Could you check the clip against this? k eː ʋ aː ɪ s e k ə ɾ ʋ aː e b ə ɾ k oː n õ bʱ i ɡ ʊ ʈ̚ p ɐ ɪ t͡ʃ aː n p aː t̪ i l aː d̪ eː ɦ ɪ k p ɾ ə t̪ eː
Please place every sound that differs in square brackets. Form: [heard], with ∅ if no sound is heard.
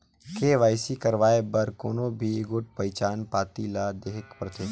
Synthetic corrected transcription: k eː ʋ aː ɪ s [i] k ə ɾ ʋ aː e b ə ɾ k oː n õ bʱ i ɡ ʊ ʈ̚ p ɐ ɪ t͡ʃ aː n p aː t̪ i l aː d̪ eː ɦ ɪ k p ɾ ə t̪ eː